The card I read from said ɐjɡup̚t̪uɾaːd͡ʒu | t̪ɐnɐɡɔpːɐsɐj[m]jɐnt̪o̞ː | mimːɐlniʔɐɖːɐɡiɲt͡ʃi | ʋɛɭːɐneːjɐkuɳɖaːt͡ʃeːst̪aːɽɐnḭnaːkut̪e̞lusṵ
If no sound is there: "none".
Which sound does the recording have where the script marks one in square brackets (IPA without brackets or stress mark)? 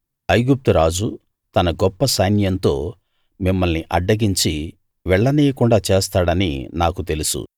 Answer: n